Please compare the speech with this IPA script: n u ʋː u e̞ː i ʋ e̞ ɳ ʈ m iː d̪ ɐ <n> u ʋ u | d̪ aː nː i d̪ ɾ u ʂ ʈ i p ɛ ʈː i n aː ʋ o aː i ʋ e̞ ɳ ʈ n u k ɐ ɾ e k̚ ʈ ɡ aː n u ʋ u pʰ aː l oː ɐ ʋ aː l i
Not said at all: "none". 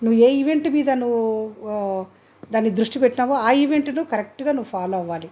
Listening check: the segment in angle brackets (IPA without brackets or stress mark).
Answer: n